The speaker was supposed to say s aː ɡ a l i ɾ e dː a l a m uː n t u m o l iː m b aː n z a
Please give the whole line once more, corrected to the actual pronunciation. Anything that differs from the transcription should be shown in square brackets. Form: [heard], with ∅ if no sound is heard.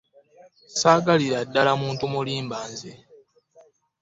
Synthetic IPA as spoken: s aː ɡ a l i ɾ [a] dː a l a m uː n t u m [u] l iː m b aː n z [e]